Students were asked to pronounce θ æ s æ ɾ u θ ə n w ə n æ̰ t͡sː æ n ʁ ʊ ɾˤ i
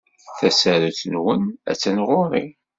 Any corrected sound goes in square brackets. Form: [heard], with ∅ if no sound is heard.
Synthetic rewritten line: θ æ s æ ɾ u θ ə n w ə n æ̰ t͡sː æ n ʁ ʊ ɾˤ i